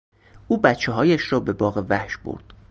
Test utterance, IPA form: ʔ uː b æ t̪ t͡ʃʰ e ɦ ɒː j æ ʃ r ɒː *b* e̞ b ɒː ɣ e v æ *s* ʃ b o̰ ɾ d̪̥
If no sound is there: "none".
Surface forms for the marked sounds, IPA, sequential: b, h

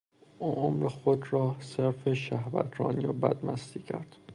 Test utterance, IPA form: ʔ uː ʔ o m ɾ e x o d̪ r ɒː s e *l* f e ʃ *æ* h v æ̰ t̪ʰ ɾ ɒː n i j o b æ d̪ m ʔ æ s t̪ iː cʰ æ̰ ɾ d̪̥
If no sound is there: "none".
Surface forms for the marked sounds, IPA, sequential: ɾ, æ

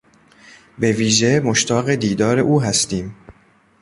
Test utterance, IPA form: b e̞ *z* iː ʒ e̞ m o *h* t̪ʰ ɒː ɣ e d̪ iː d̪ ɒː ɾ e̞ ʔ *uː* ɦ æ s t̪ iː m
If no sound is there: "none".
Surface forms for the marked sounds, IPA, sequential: v, ʃ, uː

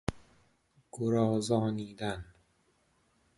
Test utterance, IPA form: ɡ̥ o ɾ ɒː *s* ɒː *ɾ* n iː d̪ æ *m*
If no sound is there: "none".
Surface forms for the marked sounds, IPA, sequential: z, none, n

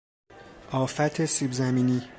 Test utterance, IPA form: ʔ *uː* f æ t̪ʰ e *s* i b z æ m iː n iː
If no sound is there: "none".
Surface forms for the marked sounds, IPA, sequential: ɒː, s

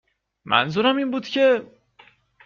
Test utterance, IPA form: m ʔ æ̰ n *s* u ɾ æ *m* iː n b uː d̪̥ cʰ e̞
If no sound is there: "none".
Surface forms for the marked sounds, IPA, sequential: z, m

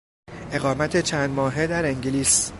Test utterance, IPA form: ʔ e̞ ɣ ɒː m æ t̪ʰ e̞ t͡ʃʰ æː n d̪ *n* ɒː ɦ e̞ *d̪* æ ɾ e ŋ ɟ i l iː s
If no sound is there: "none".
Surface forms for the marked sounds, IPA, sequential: m, d̪

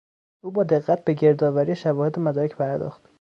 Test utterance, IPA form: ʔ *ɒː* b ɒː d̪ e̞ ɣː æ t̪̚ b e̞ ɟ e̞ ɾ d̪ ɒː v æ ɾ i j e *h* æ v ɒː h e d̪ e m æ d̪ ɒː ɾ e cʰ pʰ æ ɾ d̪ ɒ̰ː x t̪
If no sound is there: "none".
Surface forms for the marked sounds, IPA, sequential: uː, ʃ

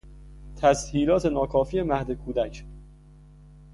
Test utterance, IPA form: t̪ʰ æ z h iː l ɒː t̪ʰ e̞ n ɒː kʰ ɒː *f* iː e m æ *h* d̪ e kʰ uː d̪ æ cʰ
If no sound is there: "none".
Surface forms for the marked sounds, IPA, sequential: f, h

